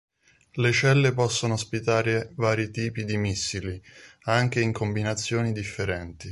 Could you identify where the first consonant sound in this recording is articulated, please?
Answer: alveolar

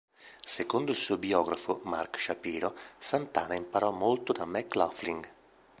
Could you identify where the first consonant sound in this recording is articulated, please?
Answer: alveolar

